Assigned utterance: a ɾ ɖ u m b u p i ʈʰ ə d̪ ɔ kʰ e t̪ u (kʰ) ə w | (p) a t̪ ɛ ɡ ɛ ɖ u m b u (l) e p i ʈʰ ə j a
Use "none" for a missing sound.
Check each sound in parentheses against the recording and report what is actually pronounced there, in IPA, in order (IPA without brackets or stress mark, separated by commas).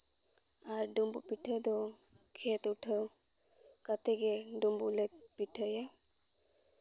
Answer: ʈʰ, k, l